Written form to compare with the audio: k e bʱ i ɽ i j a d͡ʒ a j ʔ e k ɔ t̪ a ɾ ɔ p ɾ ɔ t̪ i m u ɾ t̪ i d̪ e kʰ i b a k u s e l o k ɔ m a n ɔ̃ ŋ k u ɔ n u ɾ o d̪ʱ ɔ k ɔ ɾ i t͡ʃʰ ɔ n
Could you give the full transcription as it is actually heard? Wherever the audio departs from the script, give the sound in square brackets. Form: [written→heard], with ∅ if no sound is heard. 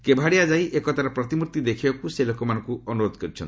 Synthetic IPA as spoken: k e bʱ [i→a] ɽ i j a d͡ʒ a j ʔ e k ɔ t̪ a ɾ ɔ p ɾ ɔ t̪ i m u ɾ t̪ i d̪ e kʰ i b a k u s e l o k ɔ m a n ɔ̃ ŋ k u ɔ n u ɾ o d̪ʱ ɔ k ɔ ɾ i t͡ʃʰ ɔ n